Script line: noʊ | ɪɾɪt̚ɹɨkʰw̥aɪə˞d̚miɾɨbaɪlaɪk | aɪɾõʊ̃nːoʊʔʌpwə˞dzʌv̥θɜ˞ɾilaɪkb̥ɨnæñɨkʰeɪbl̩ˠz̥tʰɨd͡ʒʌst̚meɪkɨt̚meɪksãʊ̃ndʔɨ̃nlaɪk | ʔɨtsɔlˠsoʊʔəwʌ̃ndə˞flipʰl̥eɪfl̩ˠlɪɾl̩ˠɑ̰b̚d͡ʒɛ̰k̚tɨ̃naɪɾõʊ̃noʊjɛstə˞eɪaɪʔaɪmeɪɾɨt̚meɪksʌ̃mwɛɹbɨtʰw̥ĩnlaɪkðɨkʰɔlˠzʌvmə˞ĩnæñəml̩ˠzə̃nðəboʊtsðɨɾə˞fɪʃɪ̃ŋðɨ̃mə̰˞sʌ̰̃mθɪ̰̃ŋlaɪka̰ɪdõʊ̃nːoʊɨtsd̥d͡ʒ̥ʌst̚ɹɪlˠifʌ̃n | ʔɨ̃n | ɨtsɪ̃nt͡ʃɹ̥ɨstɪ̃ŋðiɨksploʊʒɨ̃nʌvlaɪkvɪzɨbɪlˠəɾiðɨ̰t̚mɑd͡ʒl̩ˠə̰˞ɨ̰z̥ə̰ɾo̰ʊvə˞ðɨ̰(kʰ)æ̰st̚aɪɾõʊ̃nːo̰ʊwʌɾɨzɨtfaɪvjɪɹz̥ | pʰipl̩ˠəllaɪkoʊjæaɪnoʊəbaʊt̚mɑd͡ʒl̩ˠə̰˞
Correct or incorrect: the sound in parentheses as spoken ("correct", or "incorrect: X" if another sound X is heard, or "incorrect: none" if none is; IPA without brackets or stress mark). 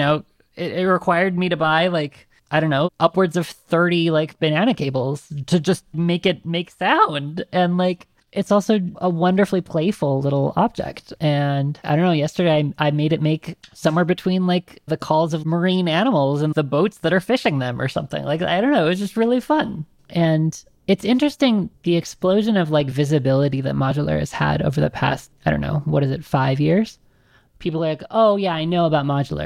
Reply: incorrect: pʰ